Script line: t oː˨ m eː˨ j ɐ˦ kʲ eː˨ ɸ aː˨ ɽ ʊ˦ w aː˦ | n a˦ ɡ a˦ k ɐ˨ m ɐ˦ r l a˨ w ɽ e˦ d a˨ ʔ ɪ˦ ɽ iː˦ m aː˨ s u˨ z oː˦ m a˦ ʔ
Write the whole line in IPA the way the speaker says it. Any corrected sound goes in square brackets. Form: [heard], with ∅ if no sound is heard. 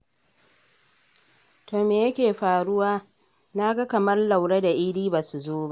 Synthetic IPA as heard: t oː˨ m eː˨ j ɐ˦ kʲ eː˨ ɸ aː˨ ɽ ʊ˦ w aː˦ | n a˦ ɡ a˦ k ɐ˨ m ɐ˦ r l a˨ w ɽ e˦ d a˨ ʔ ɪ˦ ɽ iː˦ [b] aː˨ s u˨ z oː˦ [b] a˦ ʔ